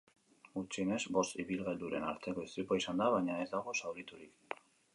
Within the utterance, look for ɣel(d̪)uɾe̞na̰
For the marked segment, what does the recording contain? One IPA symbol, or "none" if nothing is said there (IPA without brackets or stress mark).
d̪